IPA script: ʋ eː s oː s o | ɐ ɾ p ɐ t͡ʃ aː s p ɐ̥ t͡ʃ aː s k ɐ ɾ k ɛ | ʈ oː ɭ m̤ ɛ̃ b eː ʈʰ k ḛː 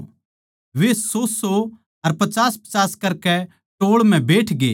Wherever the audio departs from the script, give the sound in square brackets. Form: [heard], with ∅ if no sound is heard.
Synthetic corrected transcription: ʋ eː s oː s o | ɐ ɾ p ɐ t͡ʃ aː s p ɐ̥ t͡ʃ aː s k ɐ ɾ k ɛ | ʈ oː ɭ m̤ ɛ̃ b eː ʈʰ [ɡ] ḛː